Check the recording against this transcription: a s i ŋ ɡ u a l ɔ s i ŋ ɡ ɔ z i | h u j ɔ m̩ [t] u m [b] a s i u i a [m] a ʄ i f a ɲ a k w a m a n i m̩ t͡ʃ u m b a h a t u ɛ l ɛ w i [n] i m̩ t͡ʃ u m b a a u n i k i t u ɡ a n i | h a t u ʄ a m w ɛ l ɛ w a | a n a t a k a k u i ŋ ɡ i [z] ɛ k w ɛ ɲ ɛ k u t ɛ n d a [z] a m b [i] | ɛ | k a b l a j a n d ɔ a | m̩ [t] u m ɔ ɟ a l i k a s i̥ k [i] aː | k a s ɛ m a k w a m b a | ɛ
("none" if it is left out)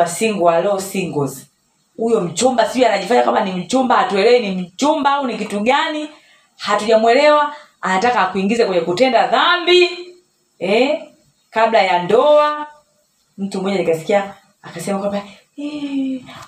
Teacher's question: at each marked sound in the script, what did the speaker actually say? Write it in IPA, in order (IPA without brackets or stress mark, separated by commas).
t͡ʃ, b, n, n, z, ð, i, t, i